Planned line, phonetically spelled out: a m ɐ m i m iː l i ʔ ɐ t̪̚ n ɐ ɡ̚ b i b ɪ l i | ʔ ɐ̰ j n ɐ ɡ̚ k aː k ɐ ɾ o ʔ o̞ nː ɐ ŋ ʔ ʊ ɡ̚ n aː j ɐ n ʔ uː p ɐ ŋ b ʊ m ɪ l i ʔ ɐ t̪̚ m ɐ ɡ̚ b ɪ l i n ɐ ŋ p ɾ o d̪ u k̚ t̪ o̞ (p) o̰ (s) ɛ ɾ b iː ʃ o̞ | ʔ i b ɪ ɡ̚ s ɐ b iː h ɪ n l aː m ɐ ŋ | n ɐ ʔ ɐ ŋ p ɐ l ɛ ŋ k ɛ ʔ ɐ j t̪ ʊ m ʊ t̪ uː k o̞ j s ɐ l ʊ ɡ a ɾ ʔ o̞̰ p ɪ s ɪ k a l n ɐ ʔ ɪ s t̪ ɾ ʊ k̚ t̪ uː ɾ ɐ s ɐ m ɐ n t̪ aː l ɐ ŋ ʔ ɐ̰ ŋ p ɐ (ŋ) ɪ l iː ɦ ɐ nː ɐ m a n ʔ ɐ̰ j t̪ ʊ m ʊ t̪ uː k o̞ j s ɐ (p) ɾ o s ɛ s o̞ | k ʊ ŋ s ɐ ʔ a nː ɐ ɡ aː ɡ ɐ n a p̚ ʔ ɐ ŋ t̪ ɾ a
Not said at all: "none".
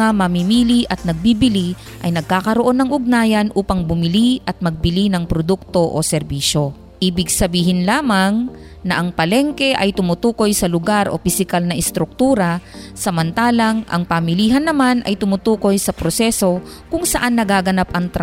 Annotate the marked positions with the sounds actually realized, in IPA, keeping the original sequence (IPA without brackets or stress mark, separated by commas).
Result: ʔ, s, m, p